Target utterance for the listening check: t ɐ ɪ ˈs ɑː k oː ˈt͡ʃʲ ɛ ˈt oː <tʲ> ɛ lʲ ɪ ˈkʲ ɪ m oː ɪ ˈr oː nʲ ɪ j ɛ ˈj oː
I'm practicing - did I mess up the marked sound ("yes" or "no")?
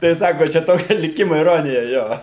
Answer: yes